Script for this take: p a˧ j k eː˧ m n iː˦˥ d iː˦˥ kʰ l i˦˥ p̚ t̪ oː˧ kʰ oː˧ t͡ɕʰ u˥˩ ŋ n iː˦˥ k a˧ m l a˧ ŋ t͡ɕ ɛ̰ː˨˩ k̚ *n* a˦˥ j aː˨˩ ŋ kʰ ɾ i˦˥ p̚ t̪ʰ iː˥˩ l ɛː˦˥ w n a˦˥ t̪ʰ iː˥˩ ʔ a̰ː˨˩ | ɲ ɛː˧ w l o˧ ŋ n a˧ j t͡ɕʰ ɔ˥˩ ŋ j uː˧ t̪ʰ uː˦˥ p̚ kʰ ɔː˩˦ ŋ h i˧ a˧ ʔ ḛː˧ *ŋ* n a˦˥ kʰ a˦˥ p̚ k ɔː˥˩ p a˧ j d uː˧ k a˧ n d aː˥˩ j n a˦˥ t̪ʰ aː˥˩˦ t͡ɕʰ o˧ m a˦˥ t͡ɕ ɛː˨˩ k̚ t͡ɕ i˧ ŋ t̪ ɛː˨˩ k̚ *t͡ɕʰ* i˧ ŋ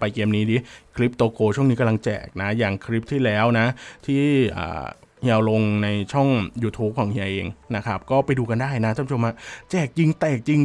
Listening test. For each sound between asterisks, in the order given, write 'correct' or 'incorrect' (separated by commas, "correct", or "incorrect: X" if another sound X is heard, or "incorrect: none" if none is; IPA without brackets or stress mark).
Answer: correct, correct, incorrect: t͡ɕ